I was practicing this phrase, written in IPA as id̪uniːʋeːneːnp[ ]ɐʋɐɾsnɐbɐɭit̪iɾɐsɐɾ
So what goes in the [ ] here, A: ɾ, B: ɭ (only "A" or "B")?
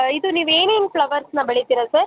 B